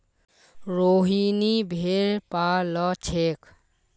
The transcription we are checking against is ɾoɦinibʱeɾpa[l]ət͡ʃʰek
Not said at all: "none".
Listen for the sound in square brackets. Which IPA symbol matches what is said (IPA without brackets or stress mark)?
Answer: l